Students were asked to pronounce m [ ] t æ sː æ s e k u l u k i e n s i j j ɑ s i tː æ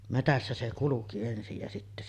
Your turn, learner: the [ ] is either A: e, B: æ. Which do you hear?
A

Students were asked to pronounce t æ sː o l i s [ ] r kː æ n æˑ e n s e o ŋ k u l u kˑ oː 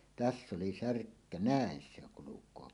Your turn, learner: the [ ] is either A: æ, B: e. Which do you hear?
A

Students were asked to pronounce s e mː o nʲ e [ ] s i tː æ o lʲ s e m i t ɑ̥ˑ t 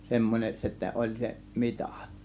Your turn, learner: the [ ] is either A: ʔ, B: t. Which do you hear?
A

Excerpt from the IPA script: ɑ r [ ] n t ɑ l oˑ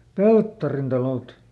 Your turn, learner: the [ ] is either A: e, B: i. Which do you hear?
B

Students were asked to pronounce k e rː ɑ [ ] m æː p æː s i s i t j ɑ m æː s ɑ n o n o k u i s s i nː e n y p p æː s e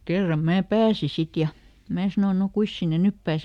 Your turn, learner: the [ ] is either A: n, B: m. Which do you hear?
B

